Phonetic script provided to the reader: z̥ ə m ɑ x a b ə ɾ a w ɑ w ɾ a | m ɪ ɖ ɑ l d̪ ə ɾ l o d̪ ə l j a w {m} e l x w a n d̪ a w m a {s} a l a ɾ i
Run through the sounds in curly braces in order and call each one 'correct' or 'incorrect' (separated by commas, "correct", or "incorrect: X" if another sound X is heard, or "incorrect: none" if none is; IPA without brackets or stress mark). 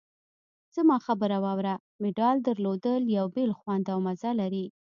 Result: incorrect: b, incorrect: z